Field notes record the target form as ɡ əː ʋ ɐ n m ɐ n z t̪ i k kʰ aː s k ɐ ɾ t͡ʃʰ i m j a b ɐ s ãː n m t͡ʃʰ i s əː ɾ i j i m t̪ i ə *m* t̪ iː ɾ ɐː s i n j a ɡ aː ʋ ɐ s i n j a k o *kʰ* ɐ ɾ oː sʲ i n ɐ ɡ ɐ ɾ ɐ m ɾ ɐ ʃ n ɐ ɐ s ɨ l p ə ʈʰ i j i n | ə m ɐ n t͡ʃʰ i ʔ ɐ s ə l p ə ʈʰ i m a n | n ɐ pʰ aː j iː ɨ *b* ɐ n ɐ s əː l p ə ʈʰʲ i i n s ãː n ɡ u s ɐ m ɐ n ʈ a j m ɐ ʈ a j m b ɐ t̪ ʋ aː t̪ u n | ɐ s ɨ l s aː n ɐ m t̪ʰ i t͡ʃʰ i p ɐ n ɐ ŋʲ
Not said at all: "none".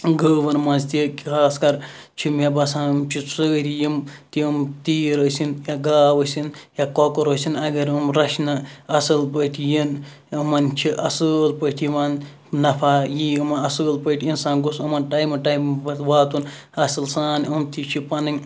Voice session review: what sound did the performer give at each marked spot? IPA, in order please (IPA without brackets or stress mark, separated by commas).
m, k, m